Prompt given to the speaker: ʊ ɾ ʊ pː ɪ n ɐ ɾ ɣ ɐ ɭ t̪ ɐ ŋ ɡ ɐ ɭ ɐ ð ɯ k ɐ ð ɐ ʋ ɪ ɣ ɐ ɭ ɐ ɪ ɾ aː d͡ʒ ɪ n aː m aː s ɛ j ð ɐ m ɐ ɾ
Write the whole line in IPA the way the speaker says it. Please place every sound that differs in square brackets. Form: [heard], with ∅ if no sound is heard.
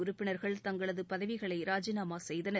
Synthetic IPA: ʊ ɾ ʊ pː ɪ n ɐ ɾ ɣ ɐ ɭ t̪ ɐ ŋ ɡ ɐ ɭ ɐ ð ɯ [p] ɐ ð ɐ ʋ ɪ ɣ ɐ ɭ ɐ ɪ ɾ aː d͡ʒ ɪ n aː m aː s ɛ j ð ɐ [n] ɐ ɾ